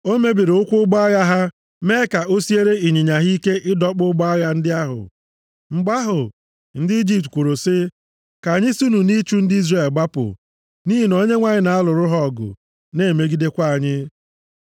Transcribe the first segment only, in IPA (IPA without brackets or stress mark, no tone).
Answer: o